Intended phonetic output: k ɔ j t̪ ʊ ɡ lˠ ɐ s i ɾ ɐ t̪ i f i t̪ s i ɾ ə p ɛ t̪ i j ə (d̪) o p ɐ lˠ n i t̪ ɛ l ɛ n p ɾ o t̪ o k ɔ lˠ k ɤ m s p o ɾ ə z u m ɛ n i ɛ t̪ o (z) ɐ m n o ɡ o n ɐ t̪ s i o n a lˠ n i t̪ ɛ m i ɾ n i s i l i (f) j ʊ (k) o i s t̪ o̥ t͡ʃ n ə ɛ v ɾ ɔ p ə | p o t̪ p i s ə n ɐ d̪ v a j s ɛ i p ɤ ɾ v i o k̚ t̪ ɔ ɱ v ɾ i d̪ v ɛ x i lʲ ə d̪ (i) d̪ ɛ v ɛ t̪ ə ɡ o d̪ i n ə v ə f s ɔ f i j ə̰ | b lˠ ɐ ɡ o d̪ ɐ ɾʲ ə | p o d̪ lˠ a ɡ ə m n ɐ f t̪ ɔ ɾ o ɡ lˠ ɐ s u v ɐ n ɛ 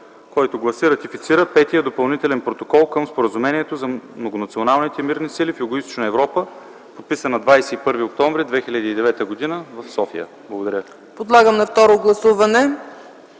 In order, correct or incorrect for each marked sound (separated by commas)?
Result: correct, correct, correct, incorrect, incorrect